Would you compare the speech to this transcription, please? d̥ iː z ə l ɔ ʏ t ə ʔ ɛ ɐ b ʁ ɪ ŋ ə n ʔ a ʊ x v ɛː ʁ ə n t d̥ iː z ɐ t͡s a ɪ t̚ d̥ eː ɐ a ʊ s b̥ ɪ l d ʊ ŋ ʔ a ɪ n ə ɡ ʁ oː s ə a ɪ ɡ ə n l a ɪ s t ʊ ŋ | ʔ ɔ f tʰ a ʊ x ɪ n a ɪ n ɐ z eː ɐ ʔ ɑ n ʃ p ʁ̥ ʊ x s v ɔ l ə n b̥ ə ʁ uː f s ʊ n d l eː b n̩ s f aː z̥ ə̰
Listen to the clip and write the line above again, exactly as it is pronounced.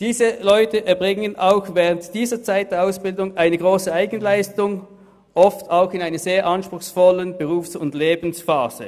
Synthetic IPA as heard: d̥ iː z ə l ɔ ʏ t ə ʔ ɛ ɐ b ʁ ɪ ŋ ə n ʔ a ʊ x v ɛː ʁ ə n t d̥ iː z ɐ t͡s a ɪ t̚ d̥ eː ɐ a ʊ s b̥ ɪ l d ʊ ŋ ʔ a ɪ n ə ɡ ʁ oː s ə a ɪ ɡ ə n l a ɪ s t ʊ ŋ | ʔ ɔ f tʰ a ʊ x ɪ n a ɪ n ɐ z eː ɐ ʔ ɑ n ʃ p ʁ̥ ʊ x s f ɔ l ə n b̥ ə ʁ uː f s ʊ n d l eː b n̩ s f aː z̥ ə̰